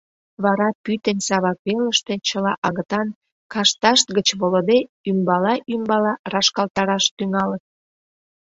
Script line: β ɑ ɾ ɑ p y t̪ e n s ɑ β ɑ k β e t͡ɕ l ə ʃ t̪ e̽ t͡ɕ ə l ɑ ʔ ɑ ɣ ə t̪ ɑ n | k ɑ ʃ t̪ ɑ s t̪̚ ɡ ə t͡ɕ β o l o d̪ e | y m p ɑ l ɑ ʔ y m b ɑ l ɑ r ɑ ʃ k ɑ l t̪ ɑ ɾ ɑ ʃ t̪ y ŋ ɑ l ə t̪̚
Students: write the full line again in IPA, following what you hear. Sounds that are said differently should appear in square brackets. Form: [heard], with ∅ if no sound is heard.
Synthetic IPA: β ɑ ɾ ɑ p y t̪ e n s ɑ β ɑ k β e [∅] l ə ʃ t̪ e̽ t͡ɕ ə l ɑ ʔ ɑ ɣ ə t̪ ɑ n | k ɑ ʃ t̪ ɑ [ʃ] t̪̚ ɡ ə t͡ɕ β o l o d̪ e | y m [b] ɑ l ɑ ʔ y m b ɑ l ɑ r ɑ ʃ k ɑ l t̪ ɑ ɾ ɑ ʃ t̪ y ŋ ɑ l ə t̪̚